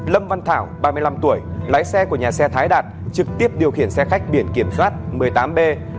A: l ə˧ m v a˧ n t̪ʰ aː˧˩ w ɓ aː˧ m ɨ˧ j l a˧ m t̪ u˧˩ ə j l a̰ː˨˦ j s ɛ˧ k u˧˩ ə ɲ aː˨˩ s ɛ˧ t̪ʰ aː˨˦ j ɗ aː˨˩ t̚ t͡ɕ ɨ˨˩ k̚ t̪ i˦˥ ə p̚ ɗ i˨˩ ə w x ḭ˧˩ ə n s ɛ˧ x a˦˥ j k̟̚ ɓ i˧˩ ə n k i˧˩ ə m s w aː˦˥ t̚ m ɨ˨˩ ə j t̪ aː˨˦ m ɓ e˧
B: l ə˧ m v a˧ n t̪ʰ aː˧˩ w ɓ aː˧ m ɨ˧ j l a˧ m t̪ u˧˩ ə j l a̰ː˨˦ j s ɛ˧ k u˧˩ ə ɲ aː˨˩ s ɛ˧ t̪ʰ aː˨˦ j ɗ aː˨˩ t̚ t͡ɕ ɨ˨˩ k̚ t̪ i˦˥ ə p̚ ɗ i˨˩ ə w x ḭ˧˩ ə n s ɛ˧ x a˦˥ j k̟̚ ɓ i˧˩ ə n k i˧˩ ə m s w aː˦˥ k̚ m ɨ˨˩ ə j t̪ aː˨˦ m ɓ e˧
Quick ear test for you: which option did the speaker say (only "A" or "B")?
A